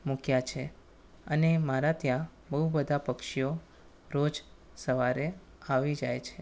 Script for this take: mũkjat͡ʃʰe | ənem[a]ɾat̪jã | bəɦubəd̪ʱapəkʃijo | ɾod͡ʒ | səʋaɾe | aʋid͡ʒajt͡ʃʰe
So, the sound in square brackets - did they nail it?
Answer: yes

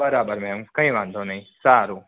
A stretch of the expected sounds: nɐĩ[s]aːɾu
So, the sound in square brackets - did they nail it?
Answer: yes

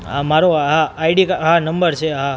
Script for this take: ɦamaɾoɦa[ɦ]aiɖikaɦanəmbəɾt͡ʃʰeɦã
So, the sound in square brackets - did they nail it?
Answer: no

